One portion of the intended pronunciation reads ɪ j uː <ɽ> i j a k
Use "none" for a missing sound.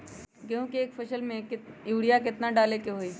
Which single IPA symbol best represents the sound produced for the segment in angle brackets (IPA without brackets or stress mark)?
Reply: ɽ